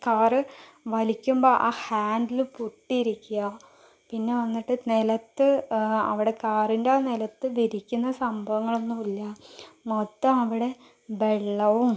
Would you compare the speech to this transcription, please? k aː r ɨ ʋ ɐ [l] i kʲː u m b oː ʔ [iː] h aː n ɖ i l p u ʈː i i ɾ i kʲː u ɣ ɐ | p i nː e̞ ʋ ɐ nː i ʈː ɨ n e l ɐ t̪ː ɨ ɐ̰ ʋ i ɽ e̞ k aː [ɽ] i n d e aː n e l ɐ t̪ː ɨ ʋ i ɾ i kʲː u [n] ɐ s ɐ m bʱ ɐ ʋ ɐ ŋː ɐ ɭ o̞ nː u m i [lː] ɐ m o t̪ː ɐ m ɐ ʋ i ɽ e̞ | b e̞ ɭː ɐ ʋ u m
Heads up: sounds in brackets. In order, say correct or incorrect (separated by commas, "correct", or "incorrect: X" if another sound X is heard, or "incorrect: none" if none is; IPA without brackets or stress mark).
correct, incorrect: aː, incorrect: r, incorrect: nː, correct